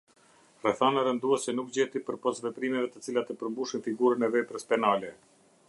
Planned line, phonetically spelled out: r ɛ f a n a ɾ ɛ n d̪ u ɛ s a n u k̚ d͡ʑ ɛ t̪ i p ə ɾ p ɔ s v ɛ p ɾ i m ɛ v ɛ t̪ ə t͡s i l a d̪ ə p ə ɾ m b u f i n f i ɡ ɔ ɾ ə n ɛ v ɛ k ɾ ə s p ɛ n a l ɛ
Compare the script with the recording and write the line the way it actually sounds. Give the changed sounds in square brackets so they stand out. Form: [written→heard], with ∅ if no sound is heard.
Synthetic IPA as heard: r ɛ [f→θ] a n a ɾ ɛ n d̪ u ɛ s [a→ɛ] n u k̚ d͡ʑ ɛ t̪ i p ə ɾ p ɔ s v ɛ p ɾ i m ɛ v ɛ t̪ ə t͡s i l a [d̪→t̪] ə p ə ɾ m b u [f→ʃ] i n f i ɡ [ɔ→u] ɾ ə n ɛ v ɛ [k→p] ɾ ə s p ɛ n a l ɛ